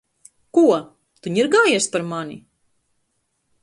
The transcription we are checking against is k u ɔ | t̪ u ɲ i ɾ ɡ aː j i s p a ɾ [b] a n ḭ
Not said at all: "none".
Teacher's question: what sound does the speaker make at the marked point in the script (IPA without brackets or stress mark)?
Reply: m